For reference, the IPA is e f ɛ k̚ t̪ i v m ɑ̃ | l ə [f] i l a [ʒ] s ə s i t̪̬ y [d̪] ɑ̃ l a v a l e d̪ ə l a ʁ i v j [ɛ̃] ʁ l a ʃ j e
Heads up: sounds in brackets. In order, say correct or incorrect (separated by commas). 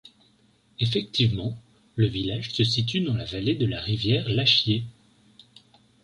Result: incorrect, correct, correct, incorrect